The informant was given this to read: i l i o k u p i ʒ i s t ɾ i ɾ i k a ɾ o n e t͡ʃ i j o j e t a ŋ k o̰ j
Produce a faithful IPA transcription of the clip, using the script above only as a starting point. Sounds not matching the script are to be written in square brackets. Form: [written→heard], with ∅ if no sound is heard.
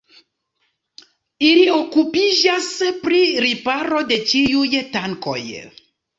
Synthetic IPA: i l i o k u p i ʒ [i→a] s [t→p] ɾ i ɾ i [k→p] a ɾ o [n→d] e t͡ʃ i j [o→u] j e t a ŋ k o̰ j